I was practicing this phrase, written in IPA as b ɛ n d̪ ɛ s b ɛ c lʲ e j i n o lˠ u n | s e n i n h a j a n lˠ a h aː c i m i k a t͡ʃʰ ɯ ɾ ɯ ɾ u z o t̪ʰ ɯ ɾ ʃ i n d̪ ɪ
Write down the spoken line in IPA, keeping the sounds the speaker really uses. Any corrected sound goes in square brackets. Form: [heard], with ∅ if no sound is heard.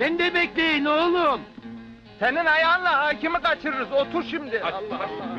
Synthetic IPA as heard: b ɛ n d̪ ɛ [∅] b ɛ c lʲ e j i n o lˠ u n | s e n i n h a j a n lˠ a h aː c i m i k a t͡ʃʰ ɯ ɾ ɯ ɾ [ɯ] z o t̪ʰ [u] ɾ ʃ i [m] d̪ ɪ